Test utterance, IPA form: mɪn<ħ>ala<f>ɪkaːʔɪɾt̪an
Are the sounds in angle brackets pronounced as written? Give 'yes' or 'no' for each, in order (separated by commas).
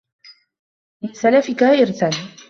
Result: no, yes